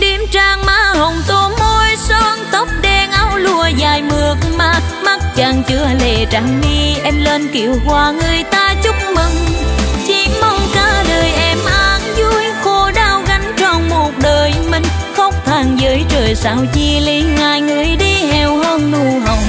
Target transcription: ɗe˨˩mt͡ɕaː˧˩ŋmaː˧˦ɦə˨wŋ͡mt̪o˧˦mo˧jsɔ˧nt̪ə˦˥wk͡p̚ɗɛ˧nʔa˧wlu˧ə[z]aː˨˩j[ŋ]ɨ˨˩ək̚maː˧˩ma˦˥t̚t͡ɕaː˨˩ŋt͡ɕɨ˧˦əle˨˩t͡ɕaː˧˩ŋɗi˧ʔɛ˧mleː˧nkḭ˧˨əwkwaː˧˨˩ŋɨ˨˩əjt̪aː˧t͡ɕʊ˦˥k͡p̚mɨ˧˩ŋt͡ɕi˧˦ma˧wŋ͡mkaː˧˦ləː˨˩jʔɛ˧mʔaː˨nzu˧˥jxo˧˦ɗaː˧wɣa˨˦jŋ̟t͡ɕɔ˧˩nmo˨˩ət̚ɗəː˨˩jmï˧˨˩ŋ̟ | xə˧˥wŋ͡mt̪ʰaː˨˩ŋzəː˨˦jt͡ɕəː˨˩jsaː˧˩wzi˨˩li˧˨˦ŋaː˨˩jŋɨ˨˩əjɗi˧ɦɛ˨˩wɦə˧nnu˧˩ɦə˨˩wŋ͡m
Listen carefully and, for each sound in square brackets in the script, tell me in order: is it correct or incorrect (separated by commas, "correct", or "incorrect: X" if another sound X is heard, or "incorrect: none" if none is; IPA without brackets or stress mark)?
correct, incorrect: m